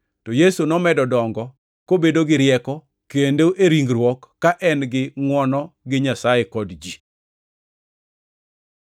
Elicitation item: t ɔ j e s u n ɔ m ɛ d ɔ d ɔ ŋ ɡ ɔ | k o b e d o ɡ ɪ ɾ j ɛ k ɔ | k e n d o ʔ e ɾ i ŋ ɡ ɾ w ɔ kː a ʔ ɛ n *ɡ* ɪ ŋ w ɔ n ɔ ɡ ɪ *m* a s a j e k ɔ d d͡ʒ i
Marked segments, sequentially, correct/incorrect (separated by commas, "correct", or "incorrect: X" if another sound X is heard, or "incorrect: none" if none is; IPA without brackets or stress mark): correct, incorrect: ɲ